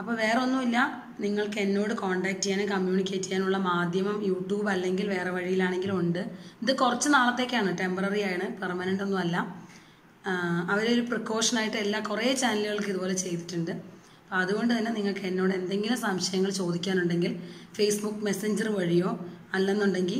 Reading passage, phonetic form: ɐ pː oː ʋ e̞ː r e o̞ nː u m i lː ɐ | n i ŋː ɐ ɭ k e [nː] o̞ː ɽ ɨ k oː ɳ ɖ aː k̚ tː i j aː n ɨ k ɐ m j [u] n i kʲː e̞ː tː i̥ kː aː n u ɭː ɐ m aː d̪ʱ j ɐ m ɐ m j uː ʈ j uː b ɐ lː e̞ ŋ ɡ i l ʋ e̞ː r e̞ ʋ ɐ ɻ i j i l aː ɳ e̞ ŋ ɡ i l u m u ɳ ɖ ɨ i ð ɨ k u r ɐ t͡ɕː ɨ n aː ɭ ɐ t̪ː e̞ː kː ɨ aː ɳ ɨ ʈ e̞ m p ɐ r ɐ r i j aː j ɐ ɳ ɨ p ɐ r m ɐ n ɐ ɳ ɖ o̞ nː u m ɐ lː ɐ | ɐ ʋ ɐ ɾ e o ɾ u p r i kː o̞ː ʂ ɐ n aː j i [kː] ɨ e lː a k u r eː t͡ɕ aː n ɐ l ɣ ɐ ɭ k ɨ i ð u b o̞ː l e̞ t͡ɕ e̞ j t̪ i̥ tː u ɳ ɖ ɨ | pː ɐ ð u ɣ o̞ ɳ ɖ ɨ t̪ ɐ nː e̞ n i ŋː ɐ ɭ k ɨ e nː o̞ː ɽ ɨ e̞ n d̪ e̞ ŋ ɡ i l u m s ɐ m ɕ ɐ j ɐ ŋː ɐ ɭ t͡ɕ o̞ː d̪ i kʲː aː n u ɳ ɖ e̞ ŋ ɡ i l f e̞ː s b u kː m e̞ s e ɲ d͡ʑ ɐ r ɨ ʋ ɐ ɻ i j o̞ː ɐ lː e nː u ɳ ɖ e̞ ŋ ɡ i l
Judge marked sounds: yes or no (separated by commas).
yes, no, no